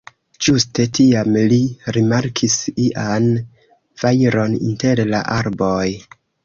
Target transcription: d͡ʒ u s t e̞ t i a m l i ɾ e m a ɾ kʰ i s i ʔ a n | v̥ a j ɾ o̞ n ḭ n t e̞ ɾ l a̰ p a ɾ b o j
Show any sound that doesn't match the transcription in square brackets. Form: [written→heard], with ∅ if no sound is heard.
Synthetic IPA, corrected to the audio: d͡ʒ u s t e̞ t i a m l i ɾ [e→i] m a ɾ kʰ i s i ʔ a n | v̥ a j ɾ o̞ n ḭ n t e̞ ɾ l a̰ [p→ʔ] a ɾ b o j